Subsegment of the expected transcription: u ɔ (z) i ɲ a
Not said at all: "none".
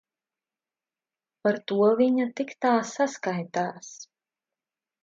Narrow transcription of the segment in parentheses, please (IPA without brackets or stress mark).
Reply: v